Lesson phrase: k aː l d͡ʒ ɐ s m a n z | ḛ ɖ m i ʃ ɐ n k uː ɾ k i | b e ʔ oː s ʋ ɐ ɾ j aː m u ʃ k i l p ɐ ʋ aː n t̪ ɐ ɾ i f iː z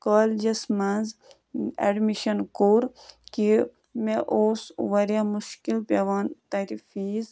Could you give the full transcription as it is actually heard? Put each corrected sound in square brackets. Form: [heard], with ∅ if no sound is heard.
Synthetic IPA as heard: k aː l d͡ʒ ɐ s m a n z | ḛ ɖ m i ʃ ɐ n k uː ɾ k i | [m] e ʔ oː s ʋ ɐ ɾ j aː m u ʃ k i l p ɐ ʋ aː n t̪ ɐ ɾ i f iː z